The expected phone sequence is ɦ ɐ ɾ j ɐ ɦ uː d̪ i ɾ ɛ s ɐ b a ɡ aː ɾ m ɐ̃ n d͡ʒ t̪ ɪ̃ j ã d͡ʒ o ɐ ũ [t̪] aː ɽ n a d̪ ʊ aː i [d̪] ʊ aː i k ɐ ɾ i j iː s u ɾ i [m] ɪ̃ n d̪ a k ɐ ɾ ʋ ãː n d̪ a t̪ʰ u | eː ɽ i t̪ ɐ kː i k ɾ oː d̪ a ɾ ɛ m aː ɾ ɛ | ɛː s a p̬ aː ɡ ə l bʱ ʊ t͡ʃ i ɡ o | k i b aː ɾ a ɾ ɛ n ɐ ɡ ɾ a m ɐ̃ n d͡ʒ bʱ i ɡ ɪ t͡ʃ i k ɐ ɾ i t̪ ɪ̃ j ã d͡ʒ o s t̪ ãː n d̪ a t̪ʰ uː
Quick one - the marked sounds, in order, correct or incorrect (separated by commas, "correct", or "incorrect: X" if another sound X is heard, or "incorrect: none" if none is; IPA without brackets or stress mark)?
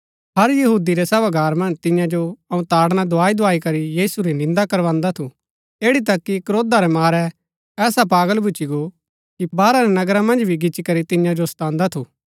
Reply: correct, correct, incorrect: n